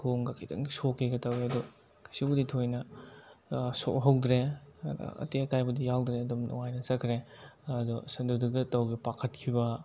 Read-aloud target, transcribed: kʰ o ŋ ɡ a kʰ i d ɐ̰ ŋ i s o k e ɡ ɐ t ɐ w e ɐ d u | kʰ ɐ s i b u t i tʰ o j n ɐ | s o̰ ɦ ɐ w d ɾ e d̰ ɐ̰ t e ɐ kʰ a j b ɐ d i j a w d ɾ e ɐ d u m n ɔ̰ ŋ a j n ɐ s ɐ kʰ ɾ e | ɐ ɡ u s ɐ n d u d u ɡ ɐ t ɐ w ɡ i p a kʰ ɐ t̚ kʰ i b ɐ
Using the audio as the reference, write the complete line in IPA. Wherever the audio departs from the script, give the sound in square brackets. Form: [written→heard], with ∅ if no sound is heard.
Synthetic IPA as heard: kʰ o ŋ ɡ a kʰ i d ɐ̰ ŋ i s o k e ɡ ɐ t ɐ w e ɐ d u | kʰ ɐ s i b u [t→d] i tʰ o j n ɐ | s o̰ ɦ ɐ w d ɾ e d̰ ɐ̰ t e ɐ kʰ a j b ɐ d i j a w d ɾ e ɐ d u m n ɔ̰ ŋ a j n ɐ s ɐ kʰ ɾ e | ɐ [ɡ→d] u s ɐ n d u d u ɡ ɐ t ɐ w ɡ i p a kʰ ɐ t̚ kʰ i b ɐ